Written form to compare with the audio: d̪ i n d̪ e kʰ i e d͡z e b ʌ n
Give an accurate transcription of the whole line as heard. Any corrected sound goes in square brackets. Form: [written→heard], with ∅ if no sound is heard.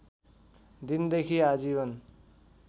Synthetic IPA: d̪ i n d̪ e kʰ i [e→a] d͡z [e→i] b ʌ n